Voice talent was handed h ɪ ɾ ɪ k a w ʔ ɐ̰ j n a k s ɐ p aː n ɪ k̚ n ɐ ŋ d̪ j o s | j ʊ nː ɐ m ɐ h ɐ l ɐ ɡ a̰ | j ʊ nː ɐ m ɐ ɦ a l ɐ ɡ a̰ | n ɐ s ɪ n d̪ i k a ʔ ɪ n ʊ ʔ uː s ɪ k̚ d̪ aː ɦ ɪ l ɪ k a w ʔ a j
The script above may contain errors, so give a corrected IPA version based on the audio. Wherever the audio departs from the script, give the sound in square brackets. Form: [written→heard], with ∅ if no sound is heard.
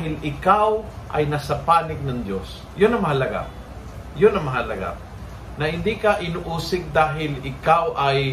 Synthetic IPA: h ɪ [ɾ→l] ɪ k a w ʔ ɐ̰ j n a [k→∅] s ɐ p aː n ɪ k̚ n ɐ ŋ d̪ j o s | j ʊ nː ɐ m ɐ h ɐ l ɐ ɡ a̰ | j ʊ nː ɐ m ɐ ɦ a l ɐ ɡ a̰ | n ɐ [s→h] ɪ n d̪ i k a ʔ ɪ n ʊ ʔ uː s ɪ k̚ d̪ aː ɦ ɪ l ɪ k a w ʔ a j